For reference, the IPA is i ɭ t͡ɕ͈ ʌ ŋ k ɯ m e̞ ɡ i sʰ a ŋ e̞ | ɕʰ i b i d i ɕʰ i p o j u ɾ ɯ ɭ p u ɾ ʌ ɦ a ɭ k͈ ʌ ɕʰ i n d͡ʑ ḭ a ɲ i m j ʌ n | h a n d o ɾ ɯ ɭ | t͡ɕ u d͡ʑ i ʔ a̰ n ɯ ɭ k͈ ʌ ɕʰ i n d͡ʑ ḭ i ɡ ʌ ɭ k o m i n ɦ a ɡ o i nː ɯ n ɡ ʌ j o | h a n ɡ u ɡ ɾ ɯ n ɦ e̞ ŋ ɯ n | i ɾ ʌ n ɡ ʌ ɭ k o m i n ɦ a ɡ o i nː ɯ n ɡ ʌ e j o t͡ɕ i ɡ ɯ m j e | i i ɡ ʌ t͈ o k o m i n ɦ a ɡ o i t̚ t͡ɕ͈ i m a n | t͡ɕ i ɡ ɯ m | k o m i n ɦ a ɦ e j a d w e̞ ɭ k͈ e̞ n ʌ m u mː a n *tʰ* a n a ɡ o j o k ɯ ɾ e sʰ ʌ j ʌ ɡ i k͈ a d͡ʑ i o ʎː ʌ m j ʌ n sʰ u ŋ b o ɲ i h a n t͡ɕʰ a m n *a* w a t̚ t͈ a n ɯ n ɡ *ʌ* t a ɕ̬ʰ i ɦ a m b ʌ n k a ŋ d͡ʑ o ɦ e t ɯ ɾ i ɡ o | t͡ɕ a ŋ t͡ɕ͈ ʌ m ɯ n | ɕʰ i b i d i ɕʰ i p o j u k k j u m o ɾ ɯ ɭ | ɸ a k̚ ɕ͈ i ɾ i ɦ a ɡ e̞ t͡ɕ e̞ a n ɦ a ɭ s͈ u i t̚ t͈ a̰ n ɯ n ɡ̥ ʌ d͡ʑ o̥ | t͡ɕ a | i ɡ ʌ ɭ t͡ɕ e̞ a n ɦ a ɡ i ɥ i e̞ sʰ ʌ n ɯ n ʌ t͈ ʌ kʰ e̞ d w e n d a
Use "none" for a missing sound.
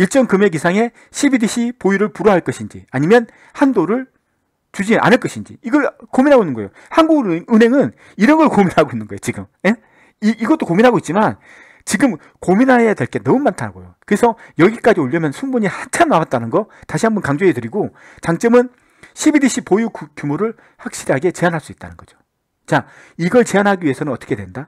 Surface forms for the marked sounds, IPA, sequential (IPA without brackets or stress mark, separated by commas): tʰ, a, ʌ